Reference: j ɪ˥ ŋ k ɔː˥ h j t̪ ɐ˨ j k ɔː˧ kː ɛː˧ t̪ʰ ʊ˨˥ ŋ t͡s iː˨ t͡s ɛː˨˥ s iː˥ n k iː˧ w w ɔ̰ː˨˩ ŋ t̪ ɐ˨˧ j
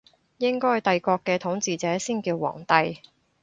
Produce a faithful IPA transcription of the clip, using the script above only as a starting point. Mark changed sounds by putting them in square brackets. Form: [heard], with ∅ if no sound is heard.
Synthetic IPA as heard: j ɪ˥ ŋ k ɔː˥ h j t̪ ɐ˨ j k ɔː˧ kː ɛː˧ t̪ʰ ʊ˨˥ ŋ t͡s iː˨ t͡s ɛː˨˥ s iː˥ n k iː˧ w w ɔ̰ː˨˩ ŋ t̪ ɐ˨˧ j